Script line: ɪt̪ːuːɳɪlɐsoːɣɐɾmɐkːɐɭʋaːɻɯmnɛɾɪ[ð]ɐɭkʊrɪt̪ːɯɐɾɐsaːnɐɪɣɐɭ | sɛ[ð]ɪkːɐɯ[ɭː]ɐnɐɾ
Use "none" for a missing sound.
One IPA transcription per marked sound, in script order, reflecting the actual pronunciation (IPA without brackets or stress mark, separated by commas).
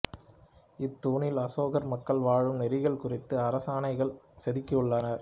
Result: ɣ, ð, ɭː